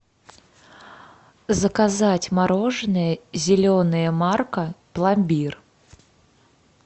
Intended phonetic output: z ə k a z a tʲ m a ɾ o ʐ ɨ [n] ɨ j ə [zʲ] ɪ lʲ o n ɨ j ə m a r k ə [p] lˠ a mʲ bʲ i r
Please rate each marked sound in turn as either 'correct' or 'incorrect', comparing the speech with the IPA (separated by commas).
correct, correct, correct